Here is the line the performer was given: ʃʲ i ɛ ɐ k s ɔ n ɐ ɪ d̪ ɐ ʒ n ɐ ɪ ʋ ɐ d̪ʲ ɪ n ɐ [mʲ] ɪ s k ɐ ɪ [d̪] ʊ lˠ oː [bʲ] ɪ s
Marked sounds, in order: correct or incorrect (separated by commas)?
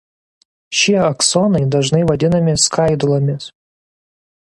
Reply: correct, correct, incorrect